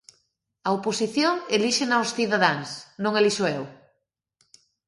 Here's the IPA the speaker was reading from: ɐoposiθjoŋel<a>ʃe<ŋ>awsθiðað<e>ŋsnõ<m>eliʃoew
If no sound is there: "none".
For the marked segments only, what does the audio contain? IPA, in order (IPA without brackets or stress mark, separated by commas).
i, n, a, ŋ